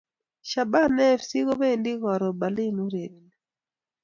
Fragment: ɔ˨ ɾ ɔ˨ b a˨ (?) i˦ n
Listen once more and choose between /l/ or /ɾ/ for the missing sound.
l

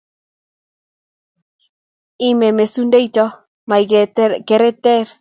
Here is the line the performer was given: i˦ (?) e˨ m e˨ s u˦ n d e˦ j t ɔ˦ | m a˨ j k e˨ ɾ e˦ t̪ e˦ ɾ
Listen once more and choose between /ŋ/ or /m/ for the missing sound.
m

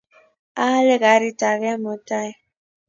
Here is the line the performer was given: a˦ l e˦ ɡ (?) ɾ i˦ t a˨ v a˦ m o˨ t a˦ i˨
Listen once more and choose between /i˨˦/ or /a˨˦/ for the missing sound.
a˨˦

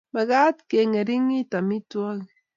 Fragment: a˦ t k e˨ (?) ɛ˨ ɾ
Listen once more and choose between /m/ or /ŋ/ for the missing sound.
ŋ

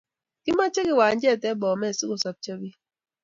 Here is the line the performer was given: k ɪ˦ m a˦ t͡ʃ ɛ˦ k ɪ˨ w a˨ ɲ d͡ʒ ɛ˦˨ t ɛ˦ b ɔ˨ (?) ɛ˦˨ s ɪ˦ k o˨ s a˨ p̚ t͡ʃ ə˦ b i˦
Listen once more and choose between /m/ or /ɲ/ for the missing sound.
m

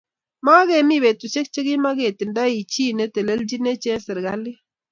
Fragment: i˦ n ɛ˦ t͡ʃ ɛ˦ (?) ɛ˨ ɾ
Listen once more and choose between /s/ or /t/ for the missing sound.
s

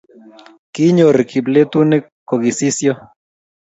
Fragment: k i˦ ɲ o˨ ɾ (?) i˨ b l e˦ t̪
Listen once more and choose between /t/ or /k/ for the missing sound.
k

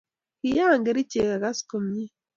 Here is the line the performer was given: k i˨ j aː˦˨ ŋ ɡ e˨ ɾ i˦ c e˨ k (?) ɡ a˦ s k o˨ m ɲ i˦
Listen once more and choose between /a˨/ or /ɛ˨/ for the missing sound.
a˨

